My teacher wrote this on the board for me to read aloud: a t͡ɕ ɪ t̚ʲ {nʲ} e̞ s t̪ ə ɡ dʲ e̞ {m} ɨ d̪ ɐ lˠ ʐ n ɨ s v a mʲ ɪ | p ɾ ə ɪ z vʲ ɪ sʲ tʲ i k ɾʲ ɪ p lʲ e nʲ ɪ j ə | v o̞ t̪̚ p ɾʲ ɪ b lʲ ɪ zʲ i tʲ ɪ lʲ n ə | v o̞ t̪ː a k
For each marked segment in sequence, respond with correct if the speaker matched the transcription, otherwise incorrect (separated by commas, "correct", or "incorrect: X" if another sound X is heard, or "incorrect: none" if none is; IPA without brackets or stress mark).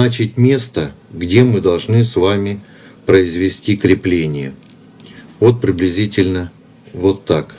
incorrect: mʲ, correct